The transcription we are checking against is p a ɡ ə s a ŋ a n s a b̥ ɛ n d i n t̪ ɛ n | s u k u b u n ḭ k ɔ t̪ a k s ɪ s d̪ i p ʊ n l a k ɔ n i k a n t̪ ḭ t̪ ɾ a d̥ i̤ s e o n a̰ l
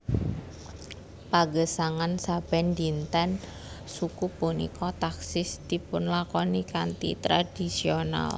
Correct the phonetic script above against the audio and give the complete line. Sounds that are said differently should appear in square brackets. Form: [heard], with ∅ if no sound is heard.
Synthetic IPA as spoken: p a ɡ ə s a ŋ a n s a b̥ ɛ n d i n t̪ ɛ n | s u k u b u n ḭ k ɔ t̪ a k s ɪ s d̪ i p ʊ n l a k ɔ n i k a n t̪ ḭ t̪ ɾ a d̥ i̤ s [i] o n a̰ l